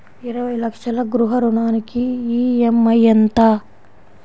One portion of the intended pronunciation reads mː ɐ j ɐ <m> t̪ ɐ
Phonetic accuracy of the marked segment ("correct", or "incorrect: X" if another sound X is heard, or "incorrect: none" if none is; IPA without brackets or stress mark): incorrect: n